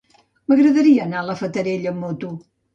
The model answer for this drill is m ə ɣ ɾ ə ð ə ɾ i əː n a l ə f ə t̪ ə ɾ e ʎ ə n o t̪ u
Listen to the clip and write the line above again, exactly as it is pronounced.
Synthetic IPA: m ə ɣ ɾ ə ð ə ɾ i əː n a l ə f ə t̪ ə ɾ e ʎ ə m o t̪ u